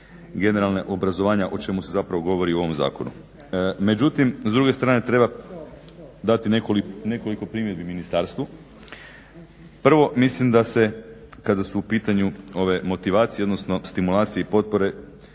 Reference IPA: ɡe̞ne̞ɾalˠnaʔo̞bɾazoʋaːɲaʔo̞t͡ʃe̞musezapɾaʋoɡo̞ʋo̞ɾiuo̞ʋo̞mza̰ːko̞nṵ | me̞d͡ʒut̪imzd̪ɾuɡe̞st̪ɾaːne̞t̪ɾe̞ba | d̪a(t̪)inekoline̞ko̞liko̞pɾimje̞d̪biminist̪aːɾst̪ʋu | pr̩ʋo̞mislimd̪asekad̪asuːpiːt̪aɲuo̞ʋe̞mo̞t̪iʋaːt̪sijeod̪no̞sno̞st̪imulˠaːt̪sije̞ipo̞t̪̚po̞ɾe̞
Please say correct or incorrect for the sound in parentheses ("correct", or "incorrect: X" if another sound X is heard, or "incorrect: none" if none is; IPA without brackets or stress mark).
correct